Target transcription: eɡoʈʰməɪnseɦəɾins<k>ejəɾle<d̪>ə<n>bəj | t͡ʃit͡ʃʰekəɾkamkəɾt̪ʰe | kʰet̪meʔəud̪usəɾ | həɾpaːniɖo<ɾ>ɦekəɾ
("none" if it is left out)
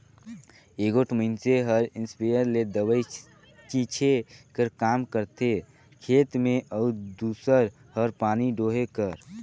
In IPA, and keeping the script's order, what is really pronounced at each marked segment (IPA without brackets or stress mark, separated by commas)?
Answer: p, d̪, none, none